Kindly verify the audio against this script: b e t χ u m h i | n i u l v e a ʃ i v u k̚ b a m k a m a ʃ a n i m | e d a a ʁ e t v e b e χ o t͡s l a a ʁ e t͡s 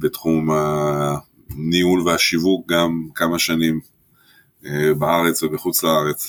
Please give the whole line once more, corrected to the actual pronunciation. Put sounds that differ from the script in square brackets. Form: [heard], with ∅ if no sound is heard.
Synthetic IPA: b e t χ u m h [a] | n i u l v e a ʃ i v u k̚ [ɡ] a m k a m a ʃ a n i m | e [b] a a ʁ e [t͡s] v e b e χ [u] t͡s l a a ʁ e t͡s